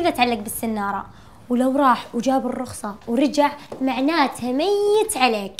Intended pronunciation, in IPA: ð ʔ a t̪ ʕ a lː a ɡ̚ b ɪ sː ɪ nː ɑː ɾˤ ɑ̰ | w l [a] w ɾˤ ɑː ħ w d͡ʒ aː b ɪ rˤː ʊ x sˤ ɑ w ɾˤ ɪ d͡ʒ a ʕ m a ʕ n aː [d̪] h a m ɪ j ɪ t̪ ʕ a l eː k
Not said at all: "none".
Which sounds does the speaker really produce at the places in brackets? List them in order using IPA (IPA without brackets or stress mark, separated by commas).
a, t̪